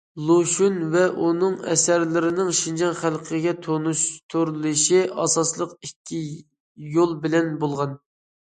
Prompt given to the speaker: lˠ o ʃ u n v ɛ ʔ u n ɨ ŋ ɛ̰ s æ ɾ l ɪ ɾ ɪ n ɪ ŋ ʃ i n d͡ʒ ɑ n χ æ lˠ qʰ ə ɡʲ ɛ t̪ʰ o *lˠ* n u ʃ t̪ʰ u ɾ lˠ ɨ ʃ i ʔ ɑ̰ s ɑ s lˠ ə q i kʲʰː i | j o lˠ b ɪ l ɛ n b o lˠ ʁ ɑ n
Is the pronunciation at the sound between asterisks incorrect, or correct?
incorrect